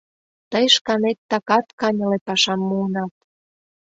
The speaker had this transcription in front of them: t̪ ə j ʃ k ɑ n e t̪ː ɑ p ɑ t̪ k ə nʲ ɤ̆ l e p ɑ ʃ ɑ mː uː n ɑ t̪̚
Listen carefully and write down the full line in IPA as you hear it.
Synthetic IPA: t̪ ə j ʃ k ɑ n e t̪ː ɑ k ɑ t̪ k ɑ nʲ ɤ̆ l e p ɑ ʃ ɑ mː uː n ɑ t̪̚